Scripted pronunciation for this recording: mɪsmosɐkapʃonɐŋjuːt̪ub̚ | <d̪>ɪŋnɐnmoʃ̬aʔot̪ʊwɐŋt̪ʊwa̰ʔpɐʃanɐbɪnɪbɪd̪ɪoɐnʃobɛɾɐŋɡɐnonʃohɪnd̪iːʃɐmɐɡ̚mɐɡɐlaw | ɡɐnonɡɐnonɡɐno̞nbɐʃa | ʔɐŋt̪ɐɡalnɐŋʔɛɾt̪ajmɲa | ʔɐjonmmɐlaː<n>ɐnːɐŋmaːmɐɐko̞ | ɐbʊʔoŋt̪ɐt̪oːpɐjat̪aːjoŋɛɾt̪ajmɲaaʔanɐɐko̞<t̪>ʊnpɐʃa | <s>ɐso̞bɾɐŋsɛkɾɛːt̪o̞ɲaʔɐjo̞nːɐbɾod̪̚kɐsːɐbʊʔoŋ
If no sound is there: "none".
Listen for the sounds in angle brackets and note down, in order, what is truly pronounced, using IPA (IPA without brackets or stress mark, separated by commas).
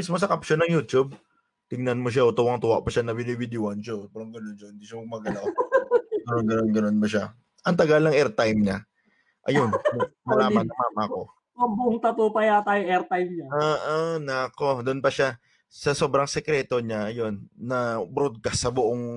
t̪, m, d̪, s